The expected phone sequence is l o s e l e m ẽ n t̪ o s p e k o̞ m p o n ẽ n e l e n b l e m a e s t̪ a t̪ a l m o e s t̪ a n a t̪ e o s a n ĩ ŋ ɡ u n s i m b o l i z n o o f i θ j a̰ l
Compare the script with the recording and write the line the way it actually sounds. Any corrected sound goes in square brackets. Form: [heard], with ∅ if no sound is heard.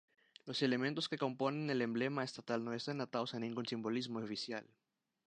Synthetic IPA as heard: l o s e l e m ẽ n t̪ o s [k] e k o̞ m p o n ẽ n e l e [m] b l e m a e s t̪ a t̪ a l [n] o e s t̪ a n a t̪ [a] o s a n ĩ ŋ ɡ u n s i m b o l i z [m] o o f i [s] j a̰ l